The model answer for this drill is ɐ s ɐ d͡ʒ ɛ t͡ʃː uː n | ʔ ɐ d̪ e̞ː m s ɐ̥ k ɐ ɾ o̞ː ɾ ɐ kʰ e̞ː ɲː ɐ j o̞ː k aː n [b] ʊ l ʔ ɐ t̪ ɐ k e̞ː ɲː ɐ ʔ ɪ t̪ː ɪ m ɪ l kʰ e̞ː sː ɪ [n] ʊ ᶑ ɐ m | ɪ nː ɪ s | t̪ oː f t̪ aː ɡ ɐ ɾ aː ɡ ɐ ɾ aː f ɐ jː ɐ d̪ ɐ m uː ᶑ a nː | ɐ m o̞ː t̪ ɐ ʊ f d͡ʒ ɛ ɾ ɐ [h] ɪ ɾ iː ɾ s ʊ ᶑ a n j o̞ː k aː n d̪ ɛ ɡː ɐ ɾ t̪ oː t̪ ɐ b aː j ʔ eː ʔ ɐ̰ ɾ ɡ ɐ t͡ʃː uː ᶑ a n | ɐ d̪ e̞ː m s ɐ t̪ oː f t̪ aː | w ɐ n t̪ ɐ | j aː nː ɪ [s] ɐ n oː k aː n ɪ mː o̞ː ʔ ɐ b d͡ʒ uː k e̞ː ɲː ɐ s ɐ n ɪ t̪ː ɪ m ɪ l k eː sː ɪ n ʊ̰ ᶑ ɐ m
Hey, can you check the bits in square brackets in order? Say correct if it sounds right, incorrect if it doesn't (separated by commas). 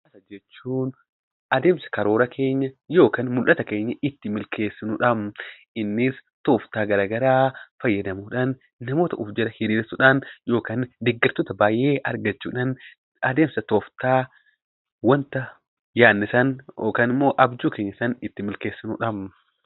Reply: incorrect, correct, correct, correct